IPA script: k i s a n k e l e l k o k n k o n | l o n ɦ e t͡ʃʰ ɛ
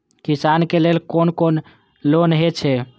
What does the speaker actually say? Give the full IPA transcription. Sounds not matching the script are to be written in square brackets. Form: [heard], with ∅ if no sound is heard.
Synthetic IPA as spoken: k i s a n k e l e l k o [∅] n k o n | l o n ɦ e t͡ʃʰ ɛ